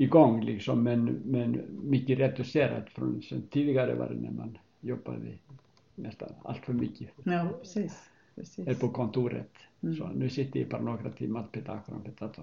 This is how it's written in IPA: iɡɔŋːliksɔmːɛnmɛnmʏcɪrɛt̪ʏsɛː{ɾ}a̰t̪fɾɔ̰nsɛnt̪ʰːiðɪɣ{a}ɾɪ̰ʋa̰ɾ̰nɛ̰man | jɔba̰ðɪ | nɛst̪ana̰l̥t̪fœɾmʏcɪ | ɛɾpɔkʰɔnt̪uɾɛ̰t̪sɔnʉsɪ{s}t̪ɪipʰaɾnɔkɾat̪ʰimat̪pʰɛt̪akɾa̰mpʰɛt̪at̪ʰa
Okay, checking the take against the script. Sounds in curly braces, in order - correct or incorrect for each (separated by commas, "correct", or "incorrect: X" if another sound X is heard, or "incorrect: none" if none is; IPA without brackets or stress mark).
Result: correct, correct, incorrect: h